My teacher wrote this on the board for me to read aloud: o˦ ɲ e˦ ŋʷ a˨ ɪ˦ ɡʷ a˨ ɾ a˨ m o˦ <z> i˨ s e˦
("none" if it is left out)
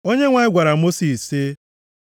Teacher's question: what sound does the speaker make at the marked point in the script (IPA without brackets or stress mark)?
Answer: s